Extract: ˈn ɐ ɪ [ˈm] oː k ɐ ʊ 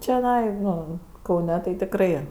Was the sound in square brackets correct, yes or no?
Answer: no